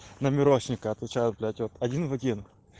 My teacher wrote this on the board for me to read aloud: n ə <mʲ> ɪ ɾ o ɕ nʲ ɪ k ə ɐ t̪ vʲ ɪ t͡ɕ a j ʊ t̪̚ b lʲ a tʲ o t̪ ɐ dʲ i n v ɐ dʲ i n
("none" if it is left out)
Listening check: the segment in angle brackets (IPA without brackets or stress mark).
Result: mʲ